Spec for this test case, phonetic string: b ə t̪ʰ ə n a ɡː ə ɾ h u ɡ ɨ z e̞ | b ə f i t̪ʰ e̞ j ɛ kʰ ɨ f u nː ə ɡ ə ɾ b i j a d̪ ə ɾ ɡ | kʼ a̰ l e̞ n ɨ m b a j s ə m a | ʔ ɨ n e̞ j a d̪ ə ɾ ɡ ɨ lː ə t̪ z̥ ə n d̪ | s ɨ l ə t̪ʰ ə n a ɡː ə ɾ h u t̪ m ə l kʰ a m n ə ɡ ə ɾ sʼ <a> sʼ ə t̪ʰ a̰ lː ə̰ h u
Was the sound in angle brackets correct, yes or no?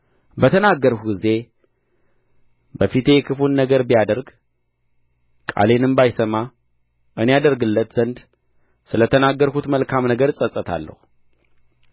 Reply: no